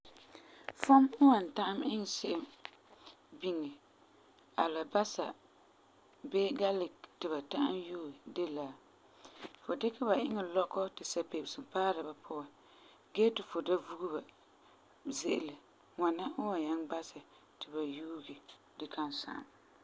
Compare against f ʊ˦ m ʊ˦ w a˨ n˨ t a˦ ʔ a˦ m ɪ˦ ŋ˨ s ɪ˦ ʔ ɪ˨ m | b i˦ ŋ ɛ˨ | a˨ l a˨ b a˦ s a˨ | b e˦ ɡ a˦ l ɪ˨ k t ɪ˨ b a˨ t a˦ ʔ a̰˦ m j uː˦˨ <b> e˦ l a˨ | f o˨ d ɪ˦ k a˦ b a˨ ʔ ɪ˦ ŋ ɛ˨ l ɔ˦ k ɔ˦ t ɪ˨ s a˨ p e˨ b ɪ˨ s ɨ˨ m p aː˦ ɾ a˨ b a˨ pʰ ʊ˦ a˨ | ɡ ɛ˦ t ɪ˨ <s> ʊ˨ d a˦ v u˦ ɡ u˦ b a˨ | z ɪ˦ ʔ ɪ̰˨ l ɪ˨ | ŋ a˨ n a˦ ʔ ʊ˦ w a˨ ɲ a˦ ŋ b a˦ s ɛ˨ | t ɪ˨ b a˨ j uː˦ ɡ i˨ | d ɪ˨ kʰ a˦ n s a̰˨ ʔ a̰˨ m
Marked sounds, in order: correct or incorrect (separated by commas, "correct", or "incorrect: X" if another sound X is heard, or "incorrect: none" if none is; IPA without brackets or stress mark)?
incorrect: d, incorrect: f